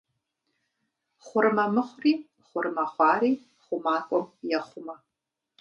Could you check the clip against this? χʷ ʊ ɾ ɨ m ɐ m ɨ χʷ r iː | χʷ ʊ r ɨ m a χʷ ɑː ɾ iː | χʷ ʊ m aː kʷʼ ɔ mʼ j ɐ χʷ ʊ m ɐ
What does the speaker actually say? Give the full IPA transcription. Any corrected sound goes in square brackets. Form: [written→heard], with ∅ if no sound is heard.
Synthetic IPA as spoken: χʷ ʊ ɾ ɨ m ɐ m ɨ χʷ r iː | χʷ ʊ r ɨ m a χʷ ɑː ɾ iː | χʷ ʊ m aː kʷʼ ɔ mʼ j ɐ χʷ ʊ m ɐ